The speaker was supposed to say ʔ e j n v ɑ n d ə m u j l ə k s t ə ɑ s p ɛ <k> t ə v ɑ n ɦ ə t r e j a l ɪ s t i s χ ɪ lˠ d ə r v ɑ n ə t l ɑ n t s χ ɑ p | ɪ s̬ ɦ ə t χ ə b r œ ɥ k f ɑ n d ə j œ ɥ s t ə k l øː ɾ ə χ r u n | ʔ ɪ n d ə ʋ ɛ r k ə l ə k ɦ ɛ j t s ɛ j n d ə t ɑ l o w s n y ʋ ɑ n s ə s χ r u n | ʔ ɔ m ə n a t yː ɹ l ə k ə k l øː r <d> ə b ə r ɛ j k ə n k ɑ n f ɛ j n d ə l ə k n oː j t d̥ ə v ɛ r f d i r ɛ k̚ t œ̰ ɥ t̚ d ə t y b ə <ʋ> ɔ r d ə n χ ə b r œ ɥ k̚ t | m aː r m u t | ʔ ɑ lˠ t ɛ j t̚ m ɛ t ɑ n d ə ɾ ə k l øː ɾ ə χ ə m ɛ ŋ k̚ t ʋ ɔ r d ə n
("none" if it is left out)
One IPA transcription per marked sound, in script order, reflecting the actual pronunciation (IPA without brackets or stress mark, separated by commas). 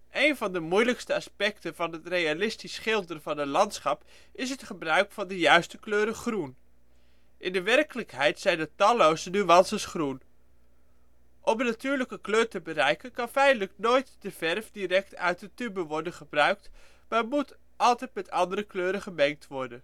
k, t, ʋ